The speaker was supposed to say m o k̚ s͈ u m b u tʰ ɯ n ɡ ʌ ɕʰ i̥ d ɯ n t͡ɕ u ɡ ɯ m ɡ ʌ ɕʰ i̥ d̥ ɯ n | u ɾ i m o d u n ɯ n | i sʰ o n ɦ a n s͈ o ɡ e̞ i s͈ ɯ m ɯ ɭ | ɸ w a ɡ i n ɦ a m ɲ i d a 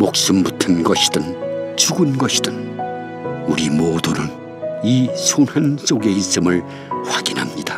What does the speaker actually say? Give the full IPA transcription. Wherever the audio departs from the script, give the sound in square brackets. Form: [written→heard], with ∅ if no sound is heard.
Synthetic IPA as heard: m o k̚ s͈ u m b u tʰ ɯ n ɡ ʌ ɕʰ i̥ d ɯ n t͡ɕ u ɡ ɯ [m→n] ɡ ʌ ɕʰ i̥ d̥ ɯ n | u ɾ i m o d u n ɯ n | i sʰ o n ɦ a n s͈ o ɡ e̞ i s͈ ɯ m ɯ ɭ | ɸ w a ɡ i n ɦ a m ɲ i d a